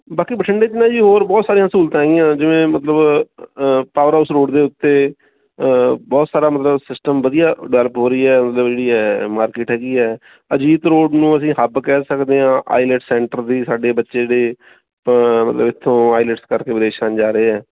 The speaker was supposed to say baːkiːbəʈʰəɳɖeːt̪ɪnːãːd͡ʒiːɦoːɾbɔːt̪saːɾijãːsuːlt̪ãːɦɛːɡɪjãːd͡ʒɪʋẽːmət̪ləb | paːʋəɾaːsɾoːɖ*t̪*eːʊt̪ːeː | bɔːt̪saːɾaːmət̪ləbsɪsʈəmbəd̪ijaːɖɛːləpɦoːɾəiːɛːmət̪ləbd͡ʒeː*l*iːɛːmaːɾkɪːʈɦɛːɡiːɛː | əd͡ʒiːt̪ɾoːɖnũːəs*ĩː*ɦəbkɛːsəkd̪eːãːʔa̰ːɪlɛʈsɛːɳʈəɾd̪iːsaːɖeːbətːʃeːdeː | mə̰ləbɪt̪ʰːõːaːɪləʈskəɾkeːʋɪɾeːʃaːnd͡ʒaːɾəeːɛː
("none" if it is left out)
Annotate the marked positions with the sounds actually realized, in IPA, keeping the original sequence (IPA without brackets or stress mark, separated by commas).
d̪, ɽ, ĩː